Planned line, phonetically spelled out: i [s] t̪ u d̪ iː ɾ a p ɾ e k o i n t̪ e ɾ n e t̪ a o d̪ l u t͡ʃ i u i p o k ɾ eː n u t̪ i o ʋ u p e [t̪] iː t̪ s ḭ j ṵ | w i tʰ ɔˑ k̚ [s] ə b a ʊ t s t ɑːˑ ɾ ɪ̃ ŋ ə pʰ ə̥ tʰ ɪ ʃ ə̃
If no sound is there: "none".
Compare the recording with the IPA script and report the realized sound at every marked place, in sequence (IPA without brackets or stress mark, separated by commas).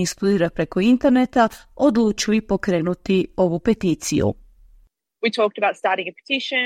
s, t̪, t